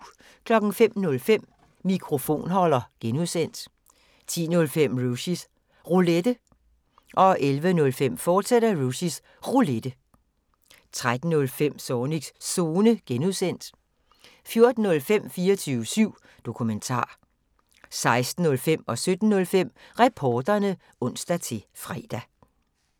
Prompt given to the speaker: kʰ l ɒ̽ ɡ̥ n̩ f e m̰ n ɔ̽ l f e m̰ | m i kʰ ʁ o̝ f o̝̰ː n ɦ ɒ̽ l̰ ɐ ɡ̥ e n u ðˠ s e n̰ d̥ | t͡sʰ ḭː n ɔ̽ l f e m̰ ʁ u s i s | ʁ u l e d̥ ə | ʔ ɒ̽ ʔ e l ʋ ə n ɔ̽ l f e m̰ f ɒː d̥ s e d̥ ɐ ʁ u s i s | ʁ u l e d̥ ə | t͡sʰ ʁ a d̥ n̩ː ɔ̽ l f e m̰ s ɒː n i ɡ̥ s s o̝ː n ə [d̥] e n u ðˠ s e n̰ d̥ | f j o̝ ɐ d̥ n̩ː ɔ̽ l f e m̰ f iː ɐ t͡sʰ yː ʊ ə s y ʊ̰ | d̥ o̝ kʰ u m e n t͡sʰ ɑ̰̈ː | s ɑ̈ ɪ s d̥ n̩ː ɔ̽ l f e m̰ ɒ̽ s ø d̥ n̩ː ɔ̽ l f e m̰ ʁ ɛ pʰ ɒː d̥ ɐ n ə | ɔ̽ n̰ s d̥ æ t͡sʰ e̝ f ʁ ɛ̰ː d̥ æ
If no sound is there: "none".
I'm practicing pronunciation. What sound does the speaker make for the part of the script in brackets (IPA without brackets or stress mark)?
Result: ɡ̥